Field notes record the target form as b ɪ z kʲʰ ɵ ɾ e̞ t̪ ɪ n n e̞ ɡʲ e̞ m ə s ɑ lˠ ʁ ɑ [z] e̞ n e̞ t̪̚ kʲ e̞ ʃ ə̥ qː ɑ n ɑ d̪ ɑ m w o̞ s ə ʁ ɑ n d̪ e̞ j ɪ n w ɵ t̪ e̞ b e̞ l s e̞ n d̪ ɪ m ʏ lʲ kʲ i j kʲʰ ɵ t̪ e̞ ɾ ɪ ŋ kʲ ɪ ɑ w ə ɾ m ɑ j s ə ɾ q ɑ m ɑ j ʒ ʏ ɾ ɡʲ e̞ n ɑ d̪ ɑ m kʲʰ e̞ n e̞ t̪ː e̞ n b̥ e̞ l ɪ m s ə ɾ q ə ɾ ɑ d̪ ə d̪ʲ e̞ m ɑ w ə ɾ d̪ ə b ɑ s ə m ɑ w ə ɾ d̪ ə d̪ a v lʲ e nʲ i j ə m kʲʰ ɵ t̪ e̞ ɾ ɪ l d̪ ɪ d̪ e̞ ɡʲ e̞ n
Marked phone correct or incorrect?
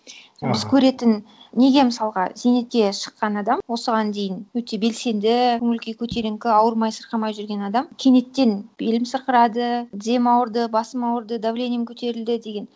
correct